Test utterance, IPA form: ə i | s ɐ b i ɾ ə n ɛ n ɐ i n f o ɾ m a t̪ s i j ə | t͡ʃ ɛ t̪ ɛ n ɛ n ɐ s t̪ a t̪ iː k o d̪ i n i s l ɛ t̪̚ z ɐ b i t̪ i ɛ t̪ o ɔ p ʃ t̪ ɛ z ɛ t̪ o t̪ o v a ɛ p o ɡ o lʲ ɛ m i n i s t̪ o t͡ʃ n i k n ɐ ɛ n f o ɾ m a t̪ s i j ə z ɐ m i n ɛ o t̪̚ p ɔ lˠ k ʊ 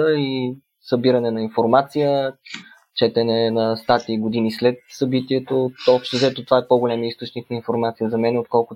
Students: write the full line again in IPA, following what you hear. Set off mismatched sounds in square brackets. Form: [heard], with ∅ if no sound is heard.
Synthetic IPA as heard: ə i | s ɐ b i ɾ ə n ɛ n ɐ i n f o ɾ m a t̪ s i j ə | t͡ʃ ɛ t̪ ɛ n ɛ n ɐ s t̪ a t̪ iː [ɡ] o d̪ i n i s l ɛ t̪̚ [s] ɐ b i t̪ i ɛ t̪ o ɔ p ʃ t̪ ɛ z ɛ t̪ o t̪ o v a ɛ p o ɡ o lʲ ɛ m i [∅] i s t̪ o t͡ʃ n i k n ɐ [i] n f o ɾ m a t̪ s i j ə z ɐ m [ɛ] n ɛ o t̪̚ [k] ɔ lˠ k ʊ